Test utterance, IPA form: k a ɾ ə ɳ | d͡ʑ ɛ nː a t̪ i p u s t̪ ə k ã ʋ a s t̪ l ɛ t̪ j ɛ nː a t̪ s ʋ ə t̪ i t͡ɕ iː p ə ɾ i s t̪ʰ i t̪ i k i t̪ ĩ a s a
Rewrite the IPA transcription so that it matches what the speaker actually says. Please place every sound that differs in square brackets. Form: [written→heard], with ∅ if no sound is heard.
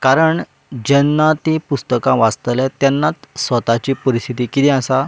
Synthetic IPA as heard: k a ɾ ə ɳ | d͡ʑ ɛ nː a t̪ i p u s t̪ ə k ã ʋ a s t̪ l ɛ t̪ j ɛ nː a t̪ s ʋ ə t̪ [i→a] t͡ɕ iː p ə ɾ i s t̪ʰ i t̪ i k i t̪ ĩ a s a